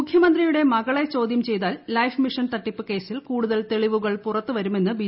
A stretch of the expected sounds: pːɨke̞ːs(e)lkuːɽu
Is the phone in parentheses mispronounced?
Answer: yes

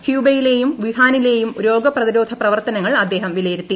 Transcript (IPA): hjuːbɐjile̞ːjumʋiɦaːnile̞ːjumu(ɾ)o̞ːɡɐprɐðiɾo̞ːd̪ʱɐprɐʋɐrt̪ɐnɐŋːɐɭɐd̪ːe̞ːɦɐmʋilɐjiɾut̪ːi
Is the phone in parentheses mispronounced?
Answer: no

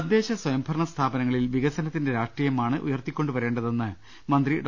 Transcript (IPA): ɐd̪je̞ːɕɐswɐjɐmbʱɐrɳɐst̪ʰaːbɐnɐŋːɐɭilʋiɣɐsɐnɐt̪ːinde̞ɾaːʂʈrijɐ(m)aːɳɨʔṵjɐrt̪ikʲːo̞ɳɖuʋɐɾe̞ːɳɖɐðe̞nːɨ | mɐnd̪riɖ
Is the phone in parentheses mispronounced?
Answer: no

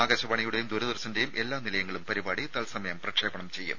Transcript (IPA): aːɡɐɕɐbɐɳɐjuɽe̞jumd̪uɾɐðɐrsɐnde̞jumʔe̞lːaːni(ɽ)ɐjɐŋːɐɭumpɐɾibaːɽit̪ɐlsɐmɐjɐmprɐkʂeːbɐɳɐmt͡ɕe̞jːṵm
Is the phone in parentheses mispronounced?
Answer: yes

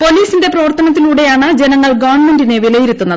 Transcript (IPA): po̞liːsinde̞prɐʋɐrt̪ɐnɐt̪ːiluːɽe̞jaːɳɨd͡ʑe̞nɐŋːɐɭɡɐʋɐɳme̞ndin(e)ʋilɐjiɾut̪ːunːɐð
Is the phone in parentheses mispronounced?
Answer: no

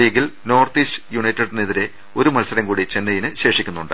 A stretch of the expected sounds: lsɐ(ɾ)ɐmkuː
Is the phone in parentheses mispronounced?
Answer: no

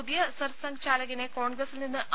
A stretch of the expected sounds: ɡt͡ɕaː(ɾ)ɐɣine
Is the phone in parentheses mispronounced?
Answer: yes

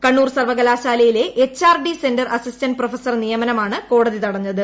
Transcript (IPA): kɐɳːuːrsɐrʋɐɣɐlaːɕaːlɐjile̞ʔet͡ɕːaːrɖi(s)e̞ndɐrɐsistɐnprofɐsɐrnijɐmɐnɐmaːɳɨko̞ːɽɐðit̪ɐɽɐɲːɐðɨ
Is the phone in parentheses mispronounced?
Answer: no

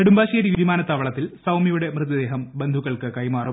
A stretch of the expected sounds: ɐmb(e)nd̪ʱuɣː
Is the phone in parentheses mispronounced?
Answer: no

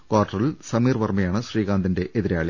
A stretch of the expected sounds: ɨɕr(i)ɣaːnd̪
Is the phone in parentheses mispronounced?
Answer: yes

